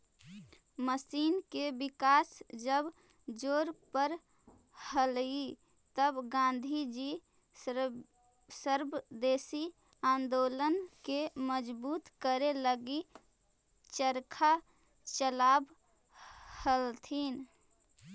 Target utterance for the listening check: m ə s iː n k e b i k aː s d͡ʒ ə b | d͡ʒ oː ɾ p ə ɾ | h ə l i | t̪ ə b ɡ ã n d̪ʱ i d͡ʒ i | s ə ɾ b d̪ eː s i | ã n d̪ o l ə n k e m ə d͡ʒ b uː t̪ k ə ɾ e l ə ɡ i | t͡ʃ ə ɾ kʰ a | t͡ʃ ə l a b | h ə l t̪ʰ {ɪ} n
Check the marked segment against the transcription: incorrect: i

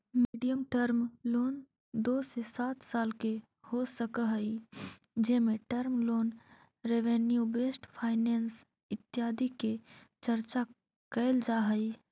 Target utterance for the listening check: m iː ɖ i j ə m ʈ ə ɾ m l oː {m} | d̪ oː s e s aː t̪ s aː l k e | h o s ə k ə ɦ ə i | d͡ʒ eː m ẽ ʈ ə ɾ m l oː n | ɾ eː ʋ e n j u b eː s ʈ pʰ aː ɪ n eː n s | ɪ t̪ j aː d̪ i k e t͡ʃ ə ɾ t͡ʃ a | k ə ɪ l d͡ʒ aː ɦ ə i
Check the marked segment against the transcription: incorrect: n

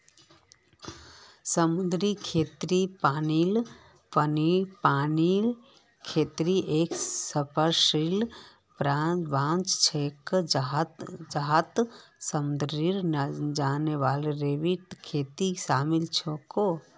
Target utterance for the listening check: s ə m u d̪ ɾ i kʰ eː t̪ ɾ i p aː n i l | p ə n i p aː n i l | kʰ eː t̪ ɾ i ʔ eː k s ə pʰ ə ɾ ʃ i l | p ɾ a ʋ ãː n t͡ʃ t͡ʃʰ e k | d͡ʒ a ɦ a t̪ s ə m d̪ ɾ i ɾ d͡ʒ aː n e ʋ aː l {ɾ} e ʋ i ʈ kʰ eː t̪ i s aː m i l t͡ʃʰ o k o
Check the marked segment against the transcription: correct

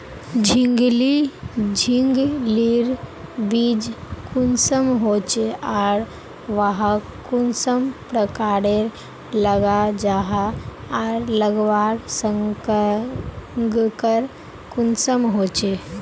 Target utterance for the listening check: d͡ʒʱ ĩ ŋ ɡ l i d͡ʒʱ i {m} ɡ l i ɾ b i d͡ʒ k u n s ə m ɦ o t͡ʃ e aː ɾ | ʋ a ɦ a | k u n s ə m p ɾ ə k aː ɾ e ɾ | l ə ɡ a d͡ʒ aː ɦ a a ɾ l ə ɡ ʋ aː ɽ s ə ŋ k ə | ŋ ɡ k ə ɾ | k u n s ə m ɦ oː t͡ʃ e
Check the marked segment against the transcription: incorrect: ŋ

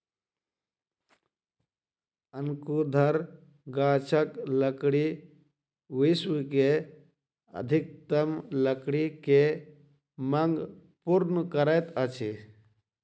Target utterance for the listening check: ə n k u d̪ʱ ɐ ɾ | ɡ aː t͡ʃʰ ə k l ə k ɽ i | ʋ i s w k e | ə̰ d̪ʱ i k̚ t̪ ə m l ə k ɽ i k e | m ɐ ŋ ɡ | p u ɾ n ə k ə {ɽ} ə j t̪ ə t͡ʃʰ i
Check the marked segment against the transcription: incorrect: ɾ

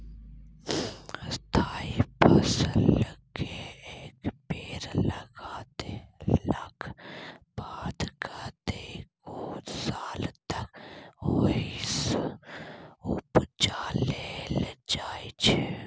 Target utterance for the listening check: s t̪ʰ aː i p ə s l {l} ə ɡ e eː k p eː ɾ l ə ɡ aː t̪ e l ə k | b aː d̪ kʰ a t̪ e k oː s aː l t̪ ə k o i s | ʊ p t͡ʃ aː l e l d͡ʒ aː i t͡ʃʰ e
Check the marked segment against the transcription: correct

